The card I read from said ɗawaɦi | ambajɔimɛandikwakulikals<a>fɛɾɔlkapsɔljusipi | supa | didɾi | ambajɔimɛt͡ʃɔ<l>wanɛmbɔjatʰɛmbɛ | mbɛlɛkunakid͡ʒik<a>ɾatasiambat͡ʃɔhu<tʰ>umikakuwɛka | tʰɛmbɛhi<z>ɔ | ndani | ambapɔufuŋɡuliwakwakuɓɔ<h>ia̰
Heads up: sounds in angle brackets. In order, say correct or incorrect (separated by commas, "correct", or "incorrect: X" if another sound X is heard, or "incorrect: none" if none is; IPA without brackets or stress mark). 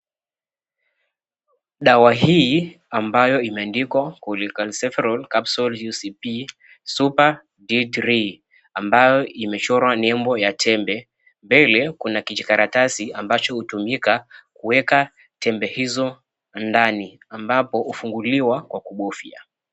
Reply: incorrect: ɛ, incorrect: ɾ, correct, incorrect: t, correct, incorrect: f